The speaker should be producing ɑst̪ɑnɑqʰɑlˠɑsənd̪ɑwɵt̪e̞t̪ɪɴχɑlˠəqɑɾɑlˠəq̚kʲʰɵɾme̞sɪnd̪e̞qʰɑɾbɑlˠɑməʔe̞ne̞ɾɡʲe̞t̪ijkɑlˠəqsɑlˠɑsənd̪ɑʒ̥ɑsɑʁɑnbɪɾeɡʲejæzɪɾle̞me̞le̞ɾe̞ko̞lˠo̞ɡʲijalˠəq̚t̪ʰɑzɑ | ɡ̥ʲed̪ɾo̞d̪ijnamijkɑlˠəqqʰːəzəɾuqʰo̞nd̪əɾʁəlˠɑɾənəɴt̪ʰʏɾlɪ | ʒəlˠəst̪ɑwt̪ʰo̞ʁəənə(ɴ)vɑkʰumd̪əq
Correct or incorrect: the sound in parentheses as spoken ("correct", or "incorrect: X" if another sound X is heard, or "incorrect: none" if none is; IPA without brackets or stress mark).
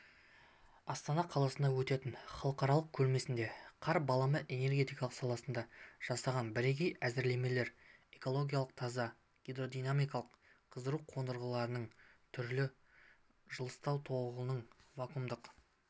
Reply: correct